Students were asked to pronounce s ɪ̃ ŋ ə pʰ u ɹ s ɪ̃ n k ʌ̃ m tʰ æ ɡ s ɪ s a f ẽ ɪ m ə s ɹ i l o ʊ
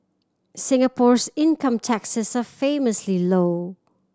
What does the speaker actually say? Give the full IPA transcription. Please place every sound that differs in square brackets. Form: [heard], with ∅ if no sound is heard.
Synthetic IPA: s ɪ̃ ŋ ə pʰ [ɔ] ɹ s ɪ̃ n k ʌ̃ m tʰ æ [k] s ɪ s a f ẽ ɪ m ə s [l] i l o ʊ